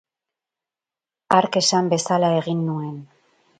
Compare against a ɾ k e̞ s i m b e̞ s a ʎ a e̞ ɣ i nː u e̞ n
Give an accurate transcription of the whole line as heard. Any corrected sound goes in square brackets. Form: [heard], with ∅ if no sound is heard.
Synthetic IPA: a ɾ k e̞ s [a] m b e̞ s a [l] a e̞ ɣ i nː u e̞ n